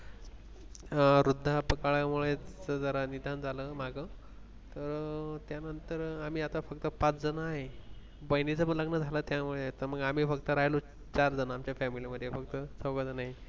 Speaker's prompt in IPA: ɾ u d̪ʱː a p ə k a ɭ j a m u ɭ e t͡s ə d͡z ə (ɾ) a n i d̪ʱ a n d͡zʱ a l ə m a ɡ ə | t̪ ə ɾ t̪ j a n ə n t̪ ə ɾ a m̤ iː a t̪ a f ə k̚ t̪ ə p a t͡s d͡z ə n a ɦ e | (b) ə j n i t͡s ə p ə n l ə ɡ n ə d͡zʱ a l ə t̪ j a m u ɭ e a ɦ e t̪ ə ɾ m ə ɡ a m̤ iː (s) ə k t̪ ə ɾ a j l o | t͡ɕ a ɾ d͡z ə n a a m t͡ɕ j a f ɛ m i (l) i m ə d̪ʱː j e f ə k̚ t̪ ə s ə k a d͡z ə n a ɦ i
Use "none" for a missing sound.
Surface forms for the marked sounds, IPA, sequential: ɾ, b, f, l

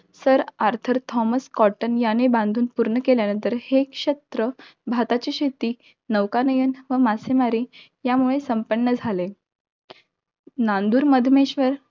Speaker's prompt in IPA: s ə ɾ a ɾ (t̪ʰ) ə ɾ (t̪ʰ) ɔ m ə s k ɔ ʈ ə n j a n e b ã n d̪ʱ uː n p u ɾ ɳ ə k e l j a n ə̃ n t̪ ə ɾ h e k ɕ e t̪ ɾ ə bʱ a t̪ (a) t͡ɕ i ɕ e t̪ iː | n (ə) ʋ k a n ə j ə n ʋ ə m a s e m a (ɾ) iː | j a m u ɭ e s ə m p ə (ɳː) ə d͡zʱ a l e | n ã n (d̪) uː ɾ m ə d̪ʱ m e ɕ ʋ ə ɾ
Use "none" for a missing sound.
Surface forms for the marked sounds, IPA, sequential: t̪ʰ, t̪ʰ, a, ə, ɾ, ɳː, d̪

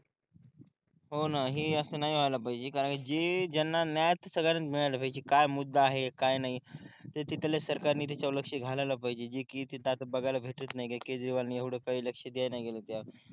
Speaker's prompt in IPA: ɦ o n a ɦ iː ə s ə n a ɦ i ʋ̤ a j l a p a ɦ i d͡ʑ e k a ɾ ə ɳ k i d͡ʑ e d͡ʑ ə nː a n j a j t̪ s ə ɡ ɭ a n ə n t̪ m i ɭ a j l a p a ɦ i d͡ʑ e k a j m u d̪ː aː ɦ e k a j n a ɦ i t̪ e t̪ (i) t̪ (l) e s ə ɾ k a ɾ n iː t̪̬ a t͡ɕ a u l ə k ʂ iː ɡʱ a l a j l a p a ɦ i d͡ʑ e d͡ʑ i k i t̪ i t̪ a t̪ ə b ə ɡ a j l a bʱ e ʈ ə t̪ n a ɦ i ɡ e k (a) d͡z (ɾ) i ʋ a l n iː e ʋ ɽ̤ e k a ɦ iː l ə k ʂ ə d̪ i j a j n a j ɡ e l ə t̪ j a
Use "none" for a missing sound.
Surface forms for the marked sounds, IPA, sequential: i, l, e, ɾ

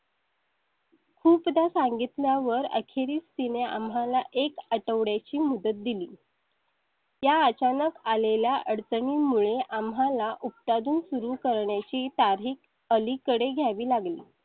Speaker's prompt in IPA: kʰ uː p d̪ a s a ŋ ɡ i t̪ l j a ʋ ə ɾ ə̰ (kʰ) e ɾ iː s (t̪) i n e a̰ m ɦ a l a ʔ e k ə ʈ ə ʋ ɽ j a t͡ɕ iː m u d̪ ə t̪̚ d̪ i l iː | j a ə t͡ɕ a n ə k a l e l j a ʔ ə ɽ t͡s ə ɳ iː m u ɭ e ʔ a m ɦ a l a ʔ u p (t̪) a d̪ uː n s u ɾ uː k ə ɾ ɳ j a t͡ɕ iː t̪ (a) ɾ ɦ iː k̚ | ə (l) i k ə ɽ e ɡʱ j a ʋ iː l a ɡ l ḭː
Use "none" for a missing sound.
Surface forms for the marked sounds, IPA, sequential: kʰ, t̪, t̪, a, l

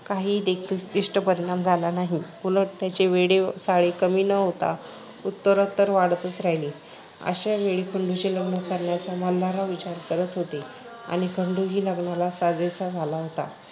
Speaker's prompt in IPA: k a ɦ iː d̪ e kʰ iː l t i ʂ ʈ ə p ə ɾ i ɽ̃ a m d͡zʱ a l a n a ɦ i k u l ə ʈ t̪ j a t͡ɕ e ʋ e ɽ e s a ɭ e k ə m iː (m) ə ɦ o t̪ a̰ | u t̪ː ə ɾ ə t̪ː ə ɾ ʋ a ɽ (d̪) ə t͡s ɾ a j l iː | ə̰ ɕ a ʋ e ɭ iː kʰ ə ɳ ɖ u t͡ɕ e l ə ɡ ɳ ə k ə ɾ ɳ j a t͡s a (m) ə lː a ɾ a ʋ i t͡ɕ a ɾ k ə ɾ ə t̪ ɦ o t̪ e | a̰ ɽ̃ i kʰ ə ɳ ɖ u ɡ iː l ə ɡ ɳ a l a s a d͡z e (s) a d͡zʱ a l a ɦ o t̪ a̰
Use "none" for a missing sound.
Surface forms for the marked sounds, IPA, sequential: n, t̪, m, t͡s

